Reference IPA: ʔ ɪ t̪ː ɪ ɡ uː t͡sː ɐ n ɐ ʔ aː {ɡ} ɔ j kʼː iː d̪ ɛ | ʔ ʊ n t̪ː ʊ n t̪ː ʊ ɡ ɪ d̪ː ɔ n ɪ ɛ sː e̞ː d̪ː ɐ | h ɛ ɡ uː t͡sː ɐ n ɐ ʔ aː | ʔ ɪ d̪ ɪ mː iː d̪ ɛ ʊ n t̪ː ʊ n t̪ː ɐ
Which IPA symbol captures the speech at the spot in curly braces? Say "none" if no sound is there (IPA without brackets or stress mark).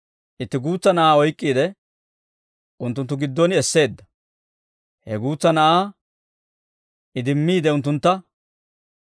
none